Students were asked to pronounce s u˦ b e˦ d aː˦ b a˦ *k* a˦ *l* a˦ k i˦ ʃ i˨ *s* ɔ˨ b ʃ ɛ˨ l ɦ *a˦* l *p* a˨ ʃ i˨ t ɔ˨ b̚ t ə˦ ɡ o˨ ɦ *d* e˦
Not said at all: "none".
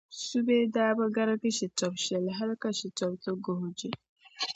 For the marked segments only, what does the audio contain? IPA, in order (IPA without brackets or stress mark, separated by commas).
ɡ, ɾ, t, a˦, k, d͡ʒ